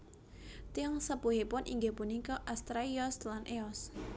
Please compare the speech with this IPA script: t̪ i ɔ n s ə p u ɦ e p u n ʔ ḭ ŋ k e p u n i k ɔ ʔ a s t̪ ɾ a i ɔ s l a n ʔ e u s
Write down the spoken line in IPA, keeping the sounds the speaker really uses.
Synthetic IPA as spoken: t̪ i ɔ ŋ s ə p u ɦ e p ʊ n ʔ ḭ ŋ ɡ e p u n i k ɔ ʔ a s t̪ ɾ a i ɔ s l a n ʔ e ɔ s